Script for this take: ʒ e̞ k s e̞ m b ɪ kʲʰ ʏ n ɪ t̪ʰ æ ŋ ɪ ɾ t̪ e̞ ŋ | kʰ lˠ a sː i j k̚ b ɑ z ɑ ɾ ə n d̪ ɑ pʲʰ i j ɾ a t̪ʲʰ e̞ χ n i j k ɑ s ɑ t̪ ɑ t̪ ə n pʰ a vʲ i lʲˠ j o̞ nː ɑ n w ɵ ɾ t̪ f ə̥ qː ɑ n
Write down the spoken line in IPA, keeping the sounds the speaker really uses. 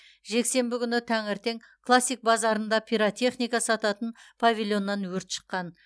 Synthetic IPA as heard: ʒ e̞ k s e̞ m b ɪ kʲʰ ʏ n ɪ t̪ʰ æ ŋ ɪ ɾ t̪ e̞ ŋ | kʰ lˠ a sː i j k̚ b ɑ z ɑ ɾ ə n d̪ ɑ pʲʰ i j ɾ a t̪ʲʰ e̞ χ n i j k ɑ s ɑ t̪ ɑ t̪ ə n pʰ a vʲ i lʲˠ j o̞ nː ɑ n w ɵ ɾ t̪ ʃ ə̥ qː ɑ n